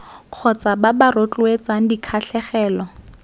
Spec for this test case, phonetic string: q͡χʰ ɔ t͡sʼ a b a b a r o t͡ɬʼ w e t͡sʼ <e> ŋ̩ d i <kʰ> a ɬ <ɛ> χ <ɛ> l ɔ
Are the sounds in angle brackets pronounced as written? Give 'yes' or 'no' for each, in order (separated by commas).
no, yes, yes, no